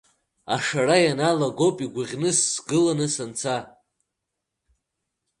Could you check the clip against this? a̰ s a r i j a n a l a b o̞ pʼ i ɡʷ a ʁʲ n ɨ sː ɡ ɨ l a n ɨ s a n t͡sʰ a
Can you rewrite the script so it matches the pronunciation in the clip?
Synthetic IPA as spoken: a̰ ʂ a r a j a n a l a ɡ o̞ pʼ i ɡʷ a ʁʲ n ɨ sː ɡ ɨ l a n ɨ s a n t͡sʰ a